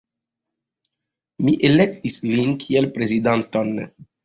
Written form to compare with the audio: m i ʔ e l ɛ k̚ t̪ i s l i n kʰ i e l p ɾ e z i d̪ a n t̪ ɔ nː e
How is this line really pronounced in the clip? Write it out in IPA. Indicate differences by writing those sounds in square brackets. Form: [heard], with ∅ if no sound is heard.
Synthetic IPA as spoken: m i ʔ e l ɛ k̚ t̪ i s l i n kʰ i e l p ɾ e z i d̪ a n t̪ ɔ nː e